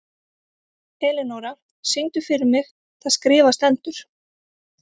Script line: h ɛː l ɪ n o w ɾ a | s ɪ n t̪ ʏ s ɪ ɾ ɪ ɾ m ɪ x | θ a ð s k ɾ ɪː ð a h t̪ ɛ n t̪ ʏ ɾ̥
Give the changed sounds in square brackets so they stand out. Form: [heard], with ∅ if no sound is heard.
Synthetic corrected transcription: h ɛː l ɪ n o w ɾ a | s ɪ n t̪ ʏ [f] ɪ ɾ ɪ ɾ m ɪ x | θ a ð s k ɾ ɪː [v] a [s] t̪ ɛ n t̪ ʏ ɾ̥